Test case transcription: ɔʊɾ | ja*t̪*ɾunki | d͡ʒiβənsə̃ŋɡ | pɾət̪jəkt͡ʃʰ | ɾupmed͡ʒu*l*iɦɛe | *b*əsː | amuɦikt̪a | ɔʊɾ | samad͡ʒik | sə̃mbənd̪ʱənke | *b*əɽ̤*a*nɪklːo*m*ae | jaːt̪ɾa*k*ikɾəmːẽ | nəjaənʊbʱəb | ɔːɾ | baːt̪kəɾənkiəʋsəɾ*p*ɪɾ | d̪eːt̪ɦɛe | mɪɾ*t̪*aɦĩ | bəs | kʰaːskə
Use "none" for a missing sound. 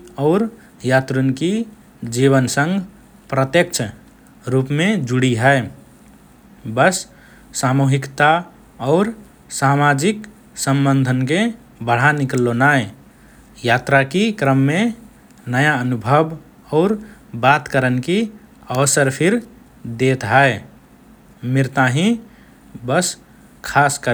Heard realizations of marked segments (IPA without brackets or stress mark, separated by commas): t̪, ɽ, b, b, a, n, k, pʰ, t̪